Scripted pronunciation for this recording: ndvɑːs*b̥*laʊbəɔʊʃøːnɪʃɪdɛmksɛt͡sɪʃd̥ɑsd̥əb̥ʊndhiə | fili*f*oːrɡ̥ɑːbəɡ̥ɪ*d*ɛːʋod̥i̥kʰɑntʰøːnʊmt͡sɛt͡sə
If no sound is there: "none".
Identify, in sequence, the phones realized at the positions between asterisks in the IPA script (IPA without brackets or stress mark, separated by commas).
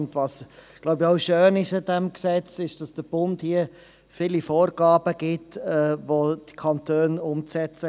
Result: ɡ̥, f, t